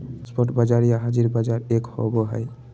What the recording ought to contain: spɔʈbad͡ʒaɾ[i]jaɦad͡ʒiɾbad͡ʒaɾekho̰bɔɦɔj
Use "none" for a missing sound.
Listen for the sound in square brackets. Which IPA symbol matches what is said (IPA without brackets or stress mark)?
i